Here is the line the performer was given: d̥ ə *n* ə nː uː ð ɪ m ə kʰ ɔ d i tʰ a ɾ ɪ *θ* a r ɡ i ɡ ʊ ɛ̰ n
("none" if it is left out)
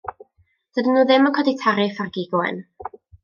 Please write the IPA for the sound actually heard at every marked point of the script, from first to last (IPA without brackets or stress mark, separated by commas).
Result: d, f